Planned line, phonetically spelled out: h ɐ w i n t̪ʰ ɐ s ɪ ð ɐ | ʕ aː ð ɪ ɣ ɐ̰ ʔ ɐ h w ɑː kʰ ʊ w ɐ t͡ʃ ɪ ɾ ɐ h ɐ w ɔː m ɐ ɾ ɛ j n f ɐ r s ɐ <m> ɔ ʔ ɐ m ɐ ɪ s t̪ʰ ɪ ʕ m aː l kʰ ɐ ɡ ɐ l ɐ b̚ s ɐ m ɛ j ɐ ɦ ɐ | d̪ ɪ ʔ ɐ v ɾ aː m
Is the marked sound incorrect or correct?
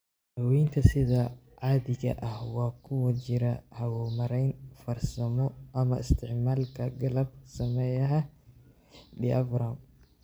correct